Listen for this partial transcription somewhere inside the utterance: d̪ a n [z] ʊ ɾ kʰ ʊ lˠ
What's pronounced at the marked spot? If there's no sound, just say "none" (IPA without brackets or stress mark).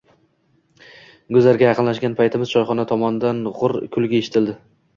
ʁ